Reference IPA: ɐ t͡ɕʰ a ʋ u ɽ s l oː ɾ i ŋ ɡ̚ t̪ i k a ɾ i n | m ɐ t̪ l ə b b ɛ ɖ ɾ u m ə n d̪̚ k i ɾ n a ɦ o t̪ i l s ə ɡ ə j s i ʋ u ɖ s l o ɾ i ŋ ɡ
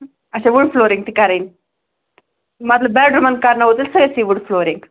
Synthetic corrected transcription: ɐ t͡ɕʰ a ʋ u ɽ f l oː ɾ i ŋ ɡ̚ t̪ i k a ɾ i n | m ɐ t̪ l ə b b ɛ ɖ ɾ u m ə n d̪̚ k a ɾ n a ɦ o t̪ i l s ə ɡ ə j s i ʋ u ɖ f l o ɾ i ŋ ɡ